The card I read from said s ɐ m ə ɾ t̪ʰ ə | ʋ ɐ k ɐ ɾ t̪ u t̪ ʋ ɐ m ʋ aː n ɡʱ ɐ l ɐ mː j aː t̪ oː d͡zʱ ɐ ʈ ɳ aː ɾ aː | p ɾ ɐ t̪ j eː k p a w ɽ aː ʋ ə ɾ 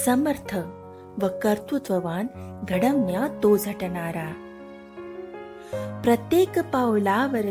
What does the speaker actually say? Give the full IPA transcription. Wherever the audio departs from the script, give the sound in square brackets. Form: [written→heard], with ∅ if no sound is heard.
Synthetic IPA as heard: s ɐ m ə ɾ t̪ʰ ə | ʋ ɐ k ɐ ɾ t̪ u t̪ ʋ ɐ [m→∅] ʋ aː n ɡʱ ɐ [l→ɽ] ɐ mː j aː t̪ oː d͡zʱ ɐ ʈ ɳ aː ɾ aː | p ɾ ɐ t̪ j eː k p a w [ɽ→l] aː ʋ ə ɾ